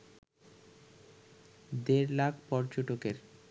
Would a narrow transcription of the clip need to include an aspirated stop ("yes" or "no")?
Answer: no